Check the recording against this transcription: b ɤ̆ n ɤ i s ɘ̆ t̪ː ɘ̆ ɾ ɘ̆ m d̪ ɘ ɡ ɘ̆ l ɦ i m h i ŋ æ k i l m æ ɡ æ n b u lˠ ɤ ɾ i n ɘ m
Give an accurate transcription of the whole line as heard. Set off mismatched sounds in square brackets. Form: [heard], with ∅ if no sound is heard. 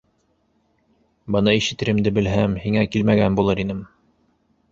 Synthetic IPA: b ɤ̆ n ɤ i [ʃ] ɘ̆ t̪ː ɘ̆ ɾ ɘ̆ m d̪ ɘ [b] ɘ̆ l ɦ [æ] m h i ŋ æ k i l m æ ɡ æ n b u lˠ ɤ ɾ i n ɘ m